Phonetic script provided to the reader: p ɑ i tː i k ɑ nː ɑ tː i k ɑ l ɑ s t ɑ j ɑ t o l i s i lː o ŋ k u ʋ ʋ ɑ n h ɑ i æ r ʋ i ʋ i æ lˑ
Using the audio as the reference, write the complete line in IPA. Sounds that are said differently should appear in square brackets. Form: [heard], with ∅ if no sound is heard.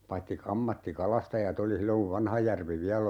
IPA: p ɑ i tː i k ɑ [mː] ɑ tː i k ɑ l ɑ s t ɑ j ɑ t o l i s i lː o ŋ k u ʋ ʋ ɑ n h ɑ [j] æ r ʋ i ʋ i æ lˑ